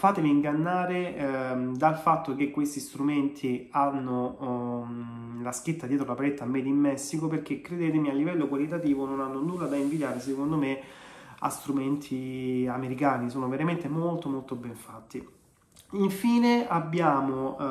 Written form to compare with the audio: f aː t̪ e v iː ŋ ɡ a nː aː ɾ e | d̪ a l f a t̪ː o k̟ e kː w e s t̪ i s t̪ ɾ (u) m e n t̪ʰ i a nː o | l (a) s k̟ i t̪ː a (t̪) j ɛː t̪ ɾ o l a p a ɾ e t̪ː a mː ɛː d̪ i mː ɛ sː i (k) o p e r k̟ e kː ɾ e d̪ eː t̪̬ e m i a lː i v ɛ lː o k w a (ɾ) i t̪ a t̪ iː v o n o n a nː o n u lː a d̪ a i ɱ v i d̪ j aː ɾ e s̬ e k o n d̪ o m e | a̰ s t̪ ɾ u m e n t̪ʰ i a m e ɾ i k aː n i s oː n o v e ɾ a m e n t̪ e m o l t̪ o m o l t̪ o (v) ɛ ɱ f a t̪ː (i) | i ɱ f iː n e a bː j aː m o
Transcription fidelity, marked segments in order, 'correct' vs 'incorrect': correct, correct, incorrect: d̪, correct, incorrect: l, incorrect: b, correct

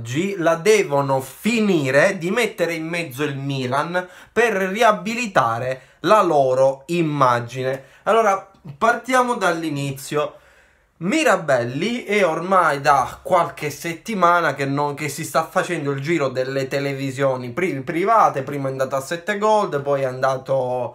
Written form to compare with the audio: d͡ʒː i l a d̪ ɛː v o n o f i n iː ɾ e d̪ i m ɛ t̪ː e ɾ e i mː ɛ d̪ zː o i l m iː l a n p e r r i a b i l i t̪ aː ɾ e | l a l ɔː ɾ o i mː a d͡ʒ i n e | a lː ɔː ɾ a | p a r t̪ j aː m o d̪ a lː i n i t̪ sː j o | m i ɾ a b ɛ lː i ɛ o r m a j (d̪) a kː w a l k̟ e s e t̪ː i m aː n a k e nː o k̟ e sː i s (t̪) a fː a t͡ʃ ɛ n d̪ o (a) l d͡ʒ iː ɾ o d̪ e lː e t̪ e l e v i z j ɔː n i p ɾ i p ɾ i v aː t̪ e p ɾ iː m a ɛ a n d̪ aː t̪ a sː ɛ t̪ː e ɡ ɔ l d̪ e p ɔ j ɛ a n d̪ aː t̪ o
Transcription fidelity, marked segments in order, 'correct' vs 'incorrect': correct, correct, incorrect: i

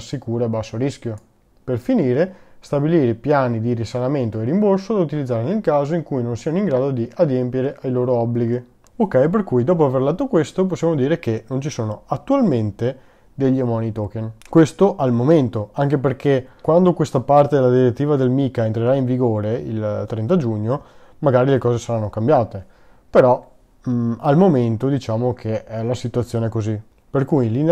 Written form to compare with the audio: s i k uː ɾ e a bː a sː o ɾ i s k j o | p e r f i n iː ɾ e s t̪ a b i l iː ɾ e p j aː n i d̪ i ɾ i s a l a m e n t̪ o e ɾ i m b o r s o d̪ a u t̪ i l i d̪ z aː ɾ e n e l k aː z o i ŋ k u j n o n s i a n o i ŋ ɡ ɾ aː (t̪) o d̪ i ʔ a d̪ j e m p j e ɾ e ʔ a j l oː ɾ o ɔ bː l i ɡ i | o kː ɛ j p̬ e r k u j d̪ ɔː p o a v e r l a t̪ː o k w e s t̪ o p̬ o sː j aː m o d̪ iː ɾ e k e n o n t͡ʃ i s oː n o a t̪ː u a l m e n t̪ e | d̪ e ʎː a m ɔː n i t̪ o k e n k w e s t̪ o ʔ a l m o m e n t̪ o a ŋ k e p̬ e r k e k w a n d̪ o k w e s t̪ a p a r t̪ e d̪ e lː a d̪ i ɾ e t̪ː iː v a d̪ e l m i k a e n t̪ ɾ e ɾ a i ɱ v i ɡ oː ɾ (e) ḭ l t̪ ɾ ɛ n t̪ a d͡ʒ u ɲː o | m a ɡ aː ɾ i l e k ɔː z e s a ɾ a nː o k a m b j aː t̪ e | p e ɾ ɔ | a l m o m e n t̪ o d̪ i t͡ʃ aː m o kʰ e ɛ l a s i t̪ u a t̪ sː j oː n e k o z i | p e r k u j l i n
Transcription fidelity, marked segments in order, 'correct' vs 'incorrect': incorrect: d̪, correct

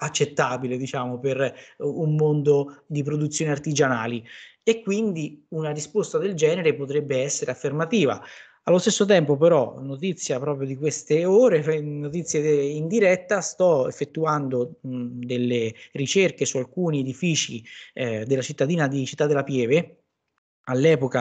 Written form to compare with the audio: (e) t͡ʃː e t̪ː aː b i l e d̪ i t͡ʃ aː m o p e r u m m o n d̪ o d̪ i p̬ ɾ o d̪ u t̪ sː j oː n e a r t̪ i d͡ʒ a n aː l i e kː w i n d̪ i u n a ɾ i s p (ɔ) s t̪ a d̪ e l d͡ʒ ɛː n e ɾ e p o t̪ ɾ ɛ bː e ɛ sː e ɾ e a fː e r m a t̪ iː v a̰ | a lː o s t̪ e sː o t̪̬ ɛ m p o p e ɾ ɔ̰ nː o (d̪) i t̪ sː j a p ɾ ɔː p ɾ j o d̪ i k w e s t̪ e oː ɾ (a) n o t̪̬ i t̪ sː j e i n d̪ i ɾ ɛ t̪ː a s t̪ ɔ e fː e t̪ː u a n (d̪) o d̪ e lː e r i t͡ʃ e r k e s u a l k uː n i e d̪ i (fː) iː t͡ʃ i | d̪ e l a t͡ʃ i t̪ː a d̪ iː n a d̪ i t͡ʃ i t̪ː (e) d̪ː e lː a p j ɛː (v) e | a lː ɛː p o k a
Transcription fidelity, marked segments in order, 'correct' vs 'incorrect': incorrect: a, incorrect: o, incorrect: t̪, incorrect: e, correct, incorrect: f, incorrect: a, correct

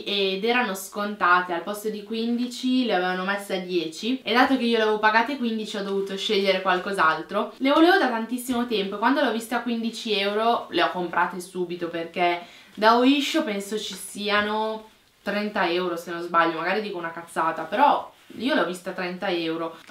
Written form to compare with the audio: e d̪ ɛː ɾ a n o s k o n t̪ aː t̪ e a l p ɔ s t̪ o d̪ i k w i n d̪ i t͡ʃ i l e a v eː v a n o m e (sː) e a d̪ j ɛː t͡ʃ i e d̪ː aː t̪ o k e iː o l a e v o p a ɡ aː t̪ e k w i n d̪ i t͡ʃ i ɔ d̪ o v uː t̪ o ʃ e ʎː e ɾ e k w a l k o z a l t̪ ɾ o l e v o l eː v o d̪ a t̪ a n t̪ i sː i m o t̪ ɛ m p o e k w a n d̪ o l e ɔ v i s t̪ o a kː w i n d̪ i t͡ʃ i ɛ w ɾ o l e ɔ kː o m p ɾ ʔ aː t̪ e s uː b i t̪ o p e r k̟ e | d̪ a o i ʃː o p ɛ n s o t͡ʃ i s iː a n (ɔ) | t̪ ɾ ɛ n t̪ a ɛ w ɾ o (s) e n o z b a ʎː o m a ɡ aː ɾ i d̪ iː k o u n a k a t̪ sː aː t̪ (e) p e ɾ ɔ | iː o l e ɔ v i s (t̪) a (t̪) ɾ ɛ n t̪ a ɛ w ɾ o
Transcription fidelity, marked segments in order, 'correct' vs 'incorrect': correct, incorrect: o, correct, incorrect: a, correct, correct

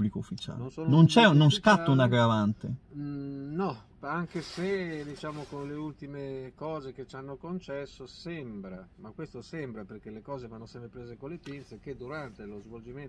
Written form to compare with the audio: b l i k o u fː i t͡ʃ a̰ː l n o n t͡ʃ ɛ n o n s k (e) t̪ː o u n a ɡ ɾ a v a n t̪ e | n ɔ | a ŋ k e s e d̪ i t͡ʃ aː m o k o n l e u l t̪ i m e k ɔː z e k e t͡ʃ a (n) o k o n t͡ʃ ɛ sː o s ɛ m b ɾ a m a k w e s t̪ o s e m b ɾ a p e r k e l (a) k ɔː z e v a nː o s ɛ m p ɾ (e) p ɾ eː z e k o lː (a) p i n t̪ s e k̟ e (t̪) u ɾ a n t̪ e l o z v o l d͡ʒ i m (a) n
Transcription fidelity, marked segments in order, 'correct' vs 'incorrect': incorrect: a, incorrect: nː, incorrect: e, correct, incorrect: e, incorrect: d̪, incorrect: e

